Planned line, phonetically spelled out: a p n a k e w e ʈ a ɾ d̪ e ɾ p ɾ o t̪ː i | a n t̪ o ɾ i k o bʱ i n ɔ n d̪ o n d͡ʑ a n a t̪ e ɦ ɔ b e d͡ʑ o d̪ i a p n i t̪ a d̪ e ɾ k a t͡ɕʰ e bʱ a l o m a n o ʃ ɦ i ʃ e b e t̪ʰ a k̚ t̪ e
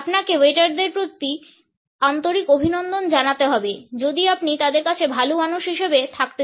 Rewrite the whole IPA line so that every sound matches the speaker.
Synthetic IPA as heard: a p n a k e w e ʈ a ɾ d̪ e ɾ p ɾ o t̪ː i | a n t̪ o ɾ i k o bʱ i n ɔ n d̪ o n d͡ʑ a n a t̪ e ɦ ɔ b e d͡ʑ o d̪ i a p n i t̪ a d̪ e ɾ k a t͡ɕʰ e bʱ a l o m a n u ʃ ɦ i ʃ e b e t̪ʰ a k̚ t̪ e